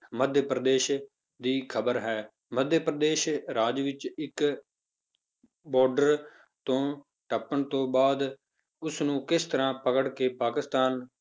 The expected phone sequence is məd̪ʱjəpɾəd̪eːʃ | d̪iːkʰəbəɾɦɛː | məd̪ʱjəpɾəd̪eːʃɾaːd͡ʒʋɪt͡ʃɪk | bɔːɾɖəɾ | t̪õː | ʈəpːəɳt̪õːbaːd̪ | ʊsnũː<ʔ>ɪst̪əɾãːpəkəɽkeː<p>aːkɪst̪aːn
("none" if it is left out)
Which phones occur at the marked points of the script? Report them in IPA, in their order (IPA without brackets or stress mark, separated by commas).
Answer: k, p